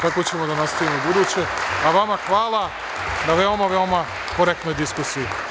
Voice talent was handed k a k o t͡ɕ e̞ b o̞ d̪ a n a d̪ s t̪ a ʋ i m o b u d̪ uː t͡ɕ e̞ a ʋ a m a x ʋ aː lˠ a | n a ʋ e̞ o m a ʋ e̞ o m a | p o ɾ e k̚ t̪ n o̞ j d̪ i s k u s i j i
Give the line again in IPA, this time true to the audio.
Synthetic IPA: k a k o t͡ɕ e̞ m o̞ d̪ a n a s t̪ a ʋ i m o b u d̪ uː t͡ɕ e̞ a ʋ a m a x ʋ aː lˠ a | n a ʋ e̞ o m a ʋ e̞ o m a | k o ɾ e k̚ t̪ n o̞ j d̪ i s k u s i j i